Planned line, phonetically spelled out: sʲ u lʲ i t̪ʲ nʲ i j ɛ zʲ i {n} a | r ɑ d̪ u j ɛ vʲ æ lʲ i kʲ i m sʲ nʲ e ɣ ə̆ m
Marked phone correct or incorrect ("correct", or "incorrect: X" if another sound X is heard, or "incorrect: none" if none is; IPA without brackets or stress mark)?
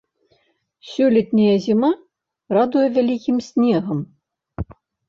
incorrect: m